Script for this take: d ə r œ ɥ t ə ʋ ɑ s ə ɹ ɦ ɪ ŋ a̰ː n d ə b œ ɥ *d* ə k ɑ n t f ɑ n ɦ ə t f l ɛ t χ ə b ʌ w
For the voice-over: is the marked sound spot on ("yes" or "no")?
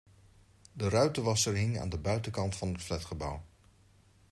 no